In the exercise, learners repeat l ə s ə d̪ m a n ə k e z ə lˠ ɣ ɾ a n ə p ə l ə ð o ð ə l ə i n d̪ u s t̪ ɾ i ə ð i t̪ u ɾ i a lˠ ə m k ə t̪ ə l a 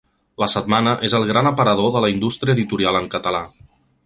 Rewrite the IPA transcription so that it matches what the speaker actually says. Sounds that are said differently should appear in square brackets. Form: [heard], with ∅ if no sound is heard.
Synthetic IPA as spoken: l ə s ə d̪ m a n ə [ʔ] e z ə lˠ ɣ ɾ a n ə p ə [ɾ] ə ð o ð ə l ə i n d̪ u s t̪ ɾ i ə ð i t̪ u ɾ i a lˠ ə [ŋ] k ə t̪ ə l a